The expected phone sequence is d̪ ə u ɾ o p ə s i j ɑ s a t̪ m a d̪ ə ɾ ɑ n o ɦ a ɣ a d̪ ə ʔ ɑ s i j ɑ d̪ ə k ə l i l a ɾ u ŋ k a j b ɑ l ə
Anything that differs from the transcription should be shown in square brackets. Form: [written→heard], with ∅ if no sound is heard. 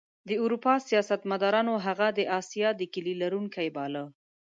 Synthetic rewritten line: d̪ ə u ɾ [o→u] p [ə→ɑ] s i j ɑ s a t̪ m a d̪ [ə→ɑ] ɾ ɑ n o ɦ a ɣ a d̪ ə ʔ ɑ s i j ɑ d̪ ə k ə l i l a ɾ u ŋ k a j b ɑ l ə